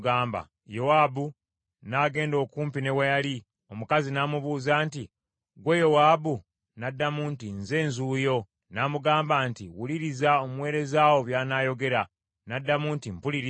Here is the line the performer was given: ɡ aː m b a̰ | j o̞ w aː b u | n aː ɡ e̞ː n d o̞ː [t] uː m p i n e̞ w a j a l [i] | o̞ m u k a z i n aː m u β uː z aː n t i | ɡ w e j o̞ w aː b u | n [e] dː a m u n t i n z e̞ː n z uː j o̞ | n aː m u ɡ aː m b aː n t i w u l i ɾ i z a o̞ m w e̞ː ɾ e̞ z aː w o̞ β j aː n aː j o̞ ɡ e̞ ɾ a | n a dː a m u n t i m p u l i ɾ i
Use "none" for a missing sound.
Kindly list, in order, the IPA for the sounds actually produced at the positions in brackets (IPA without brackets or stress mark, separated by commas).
k, i, a